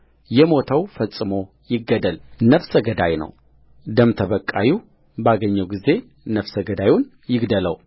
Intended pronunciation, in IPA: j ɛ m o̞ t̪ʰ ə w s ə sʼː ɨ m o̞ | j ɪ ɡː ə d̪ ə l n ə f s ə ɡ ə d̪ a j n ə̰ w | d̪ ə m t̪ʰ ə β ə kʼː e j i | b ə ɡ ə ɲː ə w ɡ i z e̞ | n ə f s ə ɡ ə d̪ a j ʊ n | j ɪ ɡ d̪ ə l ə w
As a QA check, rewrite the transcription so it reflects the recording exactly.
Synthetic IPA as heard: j ɛ m o̞ t̪ʰ ə w f ə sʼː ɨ m o̞ | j ɪ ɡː ə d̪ ə l n ə f s ə ɡ ə d̪ a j n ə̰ w | d̪ ə m t̪ʰ ə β ə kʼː a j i | b a ɡ ə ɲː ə w ɡ i z e̞ | n ə f s ə ɡ ə d̪ a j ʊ n | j ɪ ɡ d̪ ə l ə w